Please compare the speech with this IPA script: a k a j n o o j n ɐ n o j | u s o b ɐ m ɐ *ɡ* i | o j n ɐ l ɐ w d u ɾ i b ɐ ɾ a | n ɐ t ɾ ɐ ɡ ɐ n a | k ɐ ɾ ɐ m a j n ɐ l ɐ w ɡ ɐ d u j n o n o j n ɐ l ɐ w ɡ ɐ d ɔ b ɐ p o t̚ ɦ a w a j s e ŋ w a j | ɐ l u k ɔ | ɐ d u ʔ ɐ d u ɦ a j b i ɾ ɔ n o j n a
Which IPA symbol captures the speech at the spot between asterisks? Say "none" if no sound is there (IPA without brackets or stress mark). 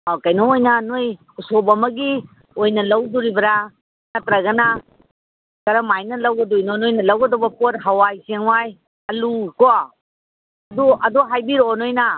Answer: ɡ